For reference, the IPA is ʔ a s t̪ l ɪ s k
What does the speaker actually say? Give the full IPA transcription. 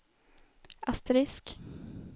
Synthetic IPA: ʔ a s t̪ ɾ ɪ s k